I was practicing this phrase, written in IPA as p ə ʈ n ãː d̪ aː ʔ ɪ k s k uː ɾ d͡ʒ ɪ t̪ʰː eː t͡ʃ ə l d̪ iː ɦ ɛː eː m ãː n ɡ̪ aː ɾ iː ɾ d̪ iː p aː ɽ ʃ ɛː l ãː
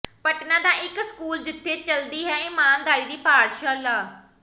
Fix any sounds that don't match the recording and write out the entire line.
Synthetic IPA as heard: p ə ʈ n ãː d̪ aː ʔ ɪ k s k uː l d͡ʒ ɪ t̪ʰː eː t͡ʃ ə l d̪ iː ɦ ɛː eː m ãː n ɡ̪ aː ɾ iː d̪ iː p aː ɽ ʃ aː l aː